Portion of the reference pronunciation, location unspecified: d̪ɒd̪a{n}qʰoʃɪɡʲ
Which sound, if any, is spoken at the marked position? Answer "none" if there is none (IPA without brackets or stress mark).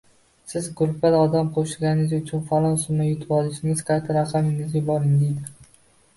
m